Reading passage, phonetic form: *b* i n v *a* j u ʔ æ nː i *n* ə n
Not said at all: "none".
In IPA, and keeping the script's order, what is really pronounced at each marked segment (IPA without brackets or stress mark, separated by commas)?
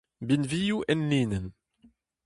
b, i, n